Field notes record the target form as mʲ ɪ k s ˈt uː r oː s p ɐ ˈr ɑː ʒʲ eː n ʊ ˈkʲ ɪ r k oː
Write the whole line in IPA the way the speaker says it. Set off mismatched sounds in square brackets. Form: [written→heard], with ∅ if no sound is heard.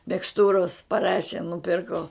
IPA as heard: mʲ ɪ k s ˈt uː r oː s p ɐ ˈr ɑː [ʒʲ→ʃʲ] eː n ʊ [ˈkʲ→ˈpʲ] ɪ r k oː